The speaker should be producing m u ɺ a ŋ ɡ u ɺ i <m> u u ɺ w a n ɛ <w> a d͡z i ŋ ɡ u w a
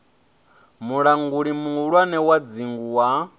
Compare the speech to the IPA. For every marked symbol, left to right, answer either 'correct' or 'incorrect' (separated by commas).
correct, correct